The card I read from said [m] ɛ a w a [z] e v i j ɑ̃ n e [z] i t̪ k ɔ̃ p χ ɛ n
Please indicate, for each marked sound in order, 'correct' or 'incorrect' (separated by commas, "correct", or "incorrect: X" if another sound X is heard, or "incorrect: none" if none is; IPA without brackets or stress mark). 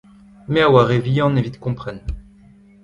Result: correct, incorrect: ʁ, incorrect: v